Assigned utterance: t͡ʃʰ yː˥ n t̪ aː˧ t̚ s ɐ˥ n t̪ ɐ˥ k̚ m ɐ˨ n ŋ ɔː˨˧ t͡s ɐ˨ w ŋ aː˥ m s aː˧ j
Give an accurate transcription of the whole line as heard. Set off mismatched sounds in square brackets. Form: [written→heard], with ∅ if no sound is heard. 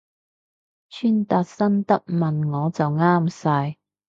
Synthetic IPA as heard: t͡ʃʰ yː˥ n t̪ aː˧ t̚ s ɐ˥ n t̪ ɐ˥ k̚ m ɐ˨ n ŋ ɔː˨˧ t͡s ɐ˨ w ŋ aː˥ m s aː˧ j